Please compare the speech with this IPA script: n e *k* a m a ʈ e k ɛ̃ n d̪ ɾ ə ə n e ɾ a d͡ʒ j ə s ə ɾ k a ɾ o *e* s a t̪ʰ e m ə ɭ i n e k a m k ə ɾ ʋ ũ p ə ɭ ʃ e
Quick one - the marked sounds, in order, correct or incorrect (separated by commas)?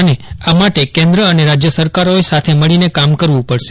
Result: incorrect, correct